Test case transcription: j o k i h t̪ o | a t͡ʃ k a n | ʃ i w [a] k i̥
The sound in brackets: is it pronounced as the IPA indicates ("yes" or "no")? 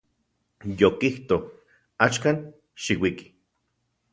no